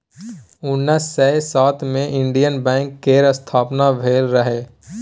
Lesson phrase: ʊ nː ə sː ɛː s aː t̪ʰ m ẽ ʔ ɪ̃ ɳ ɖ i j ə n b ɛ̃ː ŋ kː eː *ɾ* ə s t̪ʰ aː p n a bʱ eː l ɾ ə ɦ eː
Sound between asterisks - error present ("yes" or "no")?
no